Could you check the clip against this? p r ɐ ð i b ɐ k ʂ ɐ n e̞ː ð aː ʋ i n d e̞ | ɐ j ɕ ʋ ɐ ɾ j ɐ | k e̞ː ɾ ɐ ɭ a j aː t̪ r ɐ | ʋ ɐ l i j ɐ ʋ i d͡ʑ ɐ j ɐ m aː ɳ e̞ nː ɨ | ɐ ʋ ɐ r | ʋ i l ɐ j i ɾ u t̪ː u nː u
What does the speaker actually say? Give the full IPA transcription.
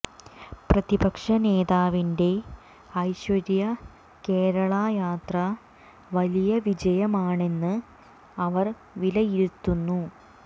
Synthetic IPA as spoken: p r ɐ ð i b ɐ k ʂ ɐ n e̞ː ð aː ʋ i n d e̞ | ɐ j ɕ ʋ ɐ ɾ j ɐ | k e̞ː ɾ ɐ ɭ a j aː t̪ r ɐ | ʋ ɐ l i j ɐ ʋ i d͡ʑ ɐ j ɐ m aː ɳ e̞ nː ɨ | ɐ ʋ ɐ r | ʋ i l ɐ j i ɾ u t̪ː u nː u